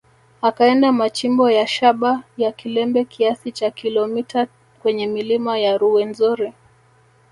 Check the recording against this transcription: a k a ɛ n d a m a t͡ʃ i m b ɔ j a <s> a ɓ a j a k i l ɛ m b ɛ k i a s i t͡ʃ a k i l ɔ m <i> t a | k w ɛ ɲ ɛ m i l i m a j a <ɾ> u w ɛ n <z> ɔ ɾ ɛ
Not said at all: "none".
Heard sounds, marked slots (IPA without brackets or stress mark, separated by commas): ʃ, i, ɾ, z